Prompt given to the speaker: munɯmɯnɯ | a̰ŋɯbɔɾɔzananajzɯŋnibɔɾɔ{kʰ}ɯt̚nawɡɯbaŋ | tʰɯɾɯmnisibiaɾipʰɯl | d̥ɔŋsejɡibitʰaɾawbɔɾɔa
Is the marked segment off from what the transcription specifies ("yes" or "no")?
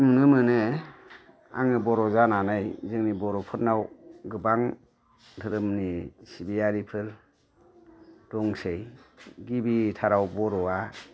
yes